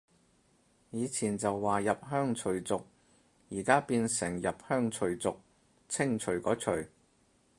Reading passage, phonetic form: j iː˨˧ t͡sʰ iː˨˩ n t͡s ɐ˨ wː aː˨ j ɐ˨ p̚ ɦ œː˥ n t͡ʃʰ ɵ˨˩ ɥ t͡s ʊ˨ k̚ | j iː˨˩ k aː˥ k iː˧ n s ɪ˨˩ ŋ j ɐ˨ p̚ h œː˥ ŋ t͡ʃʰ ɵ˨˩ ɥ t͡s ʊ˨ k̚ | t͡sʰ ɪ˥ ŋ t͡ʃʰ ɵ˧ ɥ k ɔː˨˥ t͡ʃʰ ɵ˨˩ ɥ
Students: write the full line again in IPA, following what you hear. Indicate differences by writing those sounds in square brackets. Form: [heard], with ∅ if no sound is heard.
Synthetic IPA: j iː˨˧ t͡sʰ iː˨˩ n t͡s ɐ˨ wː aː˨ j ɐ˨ p̚ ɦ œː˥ [ŋ] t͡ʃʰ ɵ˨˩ ɥ t͡s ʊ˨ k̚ | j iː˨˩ k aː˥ [p] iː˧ n s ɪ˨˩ ŋ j ɐ˨ p̚ h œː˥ ŋ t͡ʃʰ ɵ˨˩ ɥ t͡s ʊ˨ k̚ | t͡sʰ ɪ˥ ŋ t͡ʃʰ [ɵ˨˩] ɥ k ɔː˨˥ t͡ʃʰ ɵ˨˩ ɥ

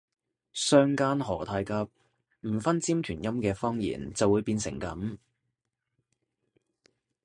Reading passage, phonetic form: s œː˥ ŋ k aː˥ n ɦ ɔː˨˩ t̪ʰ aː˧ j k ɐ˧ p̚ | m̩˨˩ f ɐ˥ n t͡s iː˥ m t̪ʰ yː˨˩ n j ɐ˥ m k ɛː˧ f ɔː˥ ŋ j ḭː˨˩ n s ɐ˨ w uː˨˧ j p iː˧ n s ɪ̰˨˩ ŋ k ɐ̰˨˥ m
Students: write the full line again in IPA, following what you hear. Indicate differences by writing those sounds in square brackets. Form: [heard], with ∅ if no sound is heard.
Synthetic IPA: s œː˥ ŋ k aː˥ n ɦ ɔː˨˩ t̪ʰ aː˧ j k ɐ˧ p̚ | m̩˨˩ f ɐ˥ n t͡s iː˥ m t̪ʰ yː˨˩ n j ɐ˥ m k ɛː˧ f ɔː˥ ŋ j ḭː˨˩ n [t͡s] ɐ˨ w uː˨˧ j p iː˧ n s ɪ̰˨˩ ŋ k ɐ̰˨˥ m

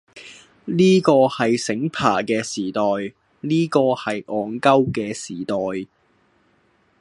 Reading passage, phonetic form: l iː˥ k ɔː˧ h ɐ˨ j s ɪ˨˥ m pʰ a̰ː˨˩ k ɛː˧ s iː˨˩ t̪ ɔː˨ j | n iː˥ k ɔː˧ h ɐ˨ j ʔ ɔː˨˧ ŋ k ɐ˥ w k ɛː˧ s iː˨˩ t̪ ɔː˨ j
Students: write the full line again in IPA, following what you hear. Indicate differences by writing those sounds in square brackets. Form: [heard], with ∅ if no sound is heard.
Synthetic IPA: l iː˥ k ɔː˧ h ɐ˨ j s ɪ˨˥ [ŋ] pʰ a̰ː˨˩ k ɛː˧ s iː˨˩ t̪ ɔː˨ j | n iː˥ k ɔː˧ h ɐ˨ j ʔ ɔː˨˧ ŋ k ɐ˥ w k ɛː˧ s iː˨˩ t̪ ɔː˨ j

